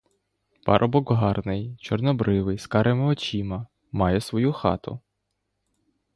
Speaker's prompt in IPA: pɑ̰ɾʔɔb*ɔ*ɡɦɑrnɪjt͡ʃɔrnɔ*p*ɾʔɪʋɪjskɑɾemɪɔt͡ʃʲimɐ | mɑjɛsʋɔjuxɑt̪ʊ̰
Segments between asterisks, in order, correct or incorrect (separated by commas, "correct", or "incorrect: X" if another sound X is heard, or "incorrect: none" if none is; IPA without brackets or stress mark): correct, incorrect: b